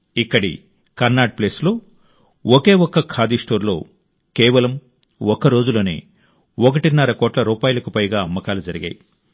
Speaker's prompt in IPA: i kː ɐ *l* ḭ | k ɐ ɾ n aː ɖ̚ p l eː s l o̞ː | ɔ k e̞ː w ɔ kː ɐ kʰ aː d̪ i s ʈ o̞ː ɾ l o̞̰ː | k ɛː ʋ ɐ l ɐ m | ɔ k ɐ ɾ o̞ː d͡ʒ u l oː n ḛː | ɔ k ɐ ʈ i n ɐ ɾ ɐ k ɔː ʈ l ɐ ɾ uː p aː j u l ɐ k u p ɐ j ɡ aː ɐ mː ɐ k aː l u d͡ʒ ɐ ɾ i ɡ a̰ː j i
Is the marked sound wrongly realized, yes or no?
yes